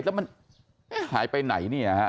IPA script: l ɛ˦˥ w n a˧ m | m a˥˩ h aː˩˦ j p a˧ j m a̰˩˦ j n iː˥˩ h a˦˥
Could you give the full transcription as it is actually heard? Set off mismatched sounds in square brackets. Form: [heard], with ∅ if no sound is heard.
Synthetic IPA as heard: l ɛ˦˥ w [m] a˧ [n] | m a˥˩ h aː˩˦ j p a˧ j [n] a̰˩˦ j n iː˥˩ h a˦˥